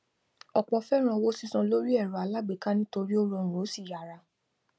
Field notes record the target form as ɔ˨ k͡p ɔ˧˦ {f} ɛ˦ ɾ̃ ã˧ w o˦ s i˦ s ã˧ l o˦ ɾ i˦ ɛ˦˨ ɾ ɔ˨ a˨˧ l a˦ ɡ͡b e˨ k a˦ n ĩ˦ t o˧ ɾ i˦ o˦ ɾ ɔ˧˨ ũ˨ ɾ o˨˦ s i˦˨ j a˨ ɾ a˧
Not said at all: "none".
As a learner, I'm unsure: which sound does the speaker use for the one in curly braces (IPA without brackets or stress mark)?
f